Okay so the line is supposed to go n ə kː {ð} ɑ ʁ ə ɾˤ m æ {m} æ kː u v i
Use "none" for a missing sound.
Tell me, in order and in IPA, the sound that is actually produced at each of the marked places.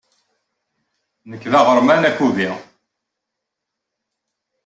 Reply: ð, n

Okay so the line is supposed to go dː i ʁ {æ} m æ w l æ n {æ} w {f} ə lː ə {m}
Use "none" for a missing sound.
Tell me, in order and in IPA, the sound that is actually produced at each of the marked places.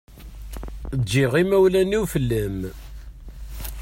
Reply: i, i, f, m

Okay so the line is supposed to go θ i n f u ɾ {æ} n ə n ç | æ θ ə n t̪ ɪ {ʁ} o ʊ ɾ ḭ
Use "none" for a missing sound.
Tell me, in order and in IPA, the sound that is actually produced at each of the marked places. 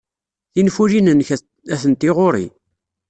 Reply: i, ʁ

